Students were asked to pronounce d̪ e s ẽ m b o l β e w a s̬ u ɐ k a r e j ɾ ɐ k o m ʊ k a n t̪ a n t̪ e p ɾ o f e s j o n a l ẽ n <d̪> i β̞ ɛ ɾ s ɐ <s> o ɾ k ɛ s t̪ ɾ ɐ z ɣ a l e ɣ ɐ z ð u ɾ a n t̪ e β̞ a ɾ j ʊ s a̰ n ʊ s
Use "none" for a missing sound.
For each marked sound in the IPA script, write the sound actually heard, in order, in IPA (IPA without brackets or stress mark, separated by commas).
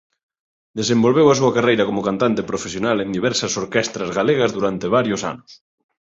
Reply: d̪, s